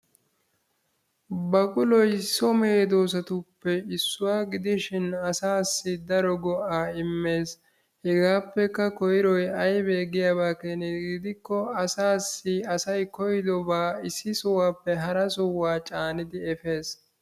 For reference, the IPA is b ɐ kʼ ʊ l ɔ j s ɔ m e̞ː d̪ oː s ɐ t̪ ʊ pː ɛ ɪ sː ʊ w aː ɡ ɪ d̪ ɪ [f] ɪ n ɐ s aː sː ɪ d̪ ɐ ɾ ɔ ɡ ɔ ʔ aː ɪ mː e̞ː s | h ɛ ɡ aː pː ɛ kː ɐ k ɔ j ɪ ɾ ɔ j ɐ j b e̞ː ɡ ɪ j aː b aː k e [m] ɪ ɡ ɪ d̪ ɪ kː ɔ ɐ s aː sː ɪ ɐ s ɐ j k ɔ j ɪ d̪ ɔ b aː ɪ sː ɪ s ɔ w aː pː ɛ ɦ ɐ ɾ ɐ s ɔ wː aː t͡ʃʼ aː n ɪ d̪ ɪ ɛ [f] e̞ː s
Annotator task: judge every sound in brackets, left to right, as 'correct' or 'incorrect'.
incorrect, incorrect, correct

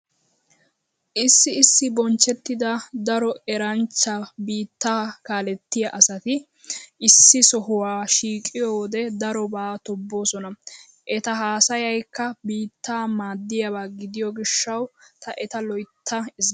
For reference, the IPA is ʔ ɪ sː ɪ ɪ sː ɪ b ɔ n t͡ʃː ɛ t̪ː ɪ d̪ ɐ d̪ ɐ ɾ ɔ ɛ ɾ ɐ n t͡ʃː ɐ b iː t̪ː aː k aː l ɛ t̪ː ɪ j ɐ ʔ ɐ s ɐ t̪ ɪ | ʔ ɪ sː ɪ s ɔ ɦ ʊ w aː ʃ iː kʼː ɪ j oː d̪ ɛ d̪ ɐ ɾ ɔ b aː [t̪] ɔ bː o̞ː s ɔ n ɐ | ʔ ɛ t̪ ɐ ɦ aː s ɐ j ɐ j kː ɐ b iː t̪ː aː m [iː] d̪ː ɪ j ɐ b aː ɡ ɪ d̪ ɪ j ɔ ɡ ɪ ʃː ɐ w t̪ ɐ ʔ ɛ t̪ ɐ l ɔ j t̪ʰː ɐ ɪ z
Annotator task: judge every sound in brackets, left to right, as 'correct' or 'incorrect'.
correct, incorrect

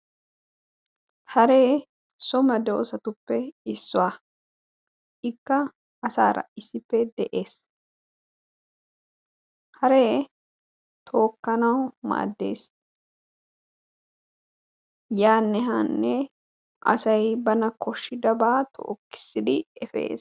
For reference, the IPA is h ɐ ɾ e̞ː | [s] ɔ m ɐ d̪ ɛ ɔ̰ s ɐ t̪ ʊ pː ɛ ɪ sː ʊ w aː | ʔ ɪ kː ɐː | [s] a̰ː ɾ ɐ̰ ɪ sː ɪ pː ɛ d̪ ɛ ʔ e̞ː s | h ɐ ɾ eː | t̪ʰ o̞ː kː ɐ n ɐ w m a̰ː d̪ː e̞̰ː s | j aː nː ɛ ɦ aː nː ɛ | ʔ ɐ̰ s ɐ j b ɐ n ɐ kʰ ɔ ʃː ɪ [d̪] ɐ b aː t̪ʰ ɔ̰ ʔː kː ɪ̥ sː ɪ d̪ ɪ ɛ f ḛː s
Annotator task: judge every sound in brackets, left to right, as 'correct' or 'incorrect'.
correct, correct, correct

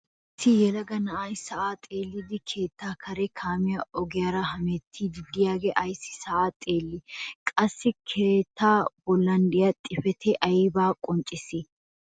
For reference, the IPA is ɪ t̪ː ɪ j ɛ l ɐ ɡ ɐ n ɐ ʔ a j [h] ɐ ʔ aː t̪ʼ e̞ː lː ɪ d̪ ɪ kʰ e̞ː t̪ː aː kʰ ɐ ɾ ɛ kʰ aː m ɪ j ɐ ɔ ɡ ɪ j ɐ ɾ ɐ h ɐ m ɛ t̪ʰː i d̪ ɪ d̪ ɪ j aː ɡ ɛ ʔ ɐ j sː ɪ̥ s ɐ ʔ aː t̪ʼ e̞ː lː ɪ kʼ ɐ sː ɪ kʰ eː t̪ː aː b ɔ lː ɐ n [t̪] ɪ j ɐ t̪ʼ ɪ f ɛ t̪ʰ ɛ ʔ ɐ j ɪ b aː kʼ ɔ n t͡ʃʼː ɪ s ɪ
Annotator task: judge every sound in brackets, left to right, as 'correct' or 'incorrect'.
incorrect, incorrect

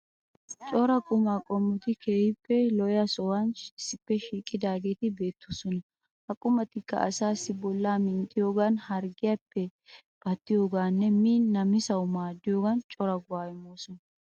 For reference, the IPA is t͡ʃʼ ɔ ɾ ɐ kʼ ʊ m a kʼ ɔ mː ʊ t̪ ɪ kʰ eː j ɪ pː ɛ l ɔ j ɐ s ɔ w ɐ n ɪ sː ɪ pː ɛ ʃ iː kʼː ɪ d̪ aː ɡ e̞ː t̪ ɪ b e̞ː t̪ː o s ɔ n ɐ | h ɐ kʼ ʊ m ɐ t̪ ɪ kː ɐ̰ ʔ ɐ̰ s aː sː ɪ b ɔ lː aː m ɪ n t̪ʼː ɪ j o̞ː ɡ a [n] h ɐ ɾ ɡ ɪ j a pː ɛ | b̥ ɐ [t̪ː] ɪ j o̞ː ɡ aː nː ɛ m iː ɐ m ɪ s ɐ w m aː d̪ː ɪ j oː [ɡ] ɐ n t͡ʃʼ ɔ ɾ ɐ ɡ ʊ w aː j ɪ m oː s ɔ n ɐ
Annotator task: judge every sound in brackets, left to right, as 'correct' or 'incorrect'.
correct, correct, correct

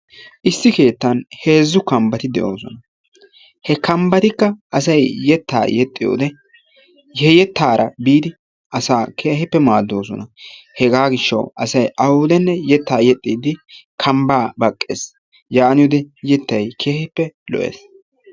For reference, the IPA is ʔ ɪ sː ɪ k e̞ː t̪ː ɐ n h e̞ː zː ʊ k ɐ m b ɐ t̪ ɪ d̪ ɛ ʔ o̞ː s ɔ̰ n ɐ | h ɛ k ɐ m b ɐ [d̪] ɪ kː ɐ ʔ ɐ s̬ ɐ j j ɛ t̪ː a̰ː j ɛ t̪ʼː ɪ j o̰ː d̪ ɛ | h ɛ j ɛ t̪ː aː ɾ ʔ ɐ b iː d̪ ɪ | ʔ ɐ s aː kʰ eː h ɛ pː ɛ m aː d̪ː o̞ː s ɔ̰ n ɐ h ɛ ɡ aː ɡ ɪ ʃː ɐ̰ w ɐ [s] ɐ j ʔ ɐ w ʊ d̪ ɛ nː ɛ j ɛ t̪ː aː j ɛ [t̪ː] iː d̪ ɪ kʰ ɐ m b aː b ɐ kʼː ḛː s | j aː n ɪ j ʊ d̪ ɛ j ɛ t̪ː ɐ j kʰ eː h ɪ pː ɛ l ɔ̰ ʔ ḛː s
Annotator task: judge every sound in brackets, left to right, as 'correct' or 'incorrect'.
incorrect, correct, incorrect

